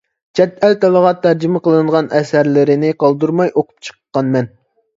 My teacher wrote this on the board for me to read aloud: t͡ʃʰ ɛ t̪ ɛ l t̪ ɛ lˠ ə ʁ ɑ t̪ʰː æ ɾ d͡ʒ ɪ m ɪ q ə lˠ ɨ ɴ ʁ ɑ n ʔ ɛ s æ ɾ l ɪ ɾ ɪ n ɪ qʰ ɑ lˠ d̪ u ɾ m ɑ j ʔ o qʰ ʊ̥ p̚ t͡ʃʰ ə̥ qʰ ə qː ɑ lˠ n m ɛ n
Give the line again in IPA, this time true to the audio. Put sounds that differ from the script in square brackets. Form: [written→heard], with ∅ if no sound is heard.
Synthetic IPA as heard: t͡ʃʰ ɛ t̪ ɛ l t̪ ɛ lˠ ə ʁ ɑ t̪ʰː æ ɾ d͡ʒ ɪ m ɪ q ə lˠ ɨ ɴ ʁ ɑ n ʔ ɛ s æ ɾ l ɪ ɾ ɪ n ɪ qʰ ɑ lˠ d̪ u ɾ m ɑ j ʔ o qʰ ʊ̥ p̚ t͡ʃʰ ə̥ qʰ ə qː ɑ [lˠ→∅] n m ɛ n